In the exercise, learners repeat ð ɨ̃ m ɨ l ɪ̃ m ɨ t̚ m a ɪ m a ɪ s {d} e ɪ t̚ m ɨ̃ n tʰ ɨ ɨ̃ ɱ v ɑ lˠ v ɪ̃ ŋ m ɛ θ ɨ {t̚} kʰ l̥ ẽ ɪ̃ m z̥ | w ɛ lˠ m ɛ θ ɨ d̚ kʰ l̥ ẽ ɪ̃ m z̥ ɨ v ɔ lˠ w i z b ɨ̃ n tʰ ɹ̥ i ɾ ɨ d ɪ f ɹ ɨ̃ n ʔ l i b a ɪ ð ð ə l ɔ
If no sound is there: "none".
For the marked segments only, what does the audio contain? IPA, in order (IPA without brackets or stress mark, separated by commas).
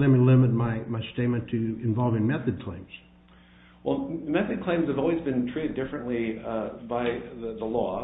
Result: t, d̚